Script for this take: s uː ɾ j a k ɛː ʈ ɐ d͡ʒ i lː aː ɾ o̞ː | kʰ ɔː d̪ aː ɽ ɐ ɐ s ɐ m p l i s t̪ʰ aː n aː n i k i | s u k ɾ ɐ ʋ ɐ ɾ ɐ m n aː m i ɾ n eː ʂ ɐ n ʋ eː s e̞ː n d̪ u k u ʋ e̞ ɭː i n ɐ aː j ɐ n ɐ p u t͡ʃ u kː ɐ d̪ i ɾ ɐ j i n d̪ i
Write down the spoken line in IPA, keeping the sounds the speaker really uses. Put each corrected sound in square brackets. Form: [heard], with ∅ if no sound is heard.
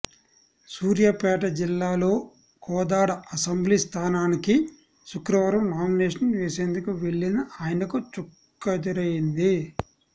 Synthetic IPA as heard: s uː ɾ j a [p] ɛː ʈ ɐ d͡ʒ i lː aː [l] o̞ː | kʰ ɔː d̪ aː ɽ ɐ ɐ s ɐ m [b] l i s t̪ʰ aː n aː n i k i | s u k ɾ ɐ ʋ ɐ ɾ ɐ m n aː m i [∅] n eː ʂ ɐ n ʋ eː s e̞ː n d̪ u k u ʋ e̞ ɭː i n ɐ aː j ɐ n ɐ [k] u t͡ʃ u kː ɐ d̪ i ɾ ɐ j i n d̪ i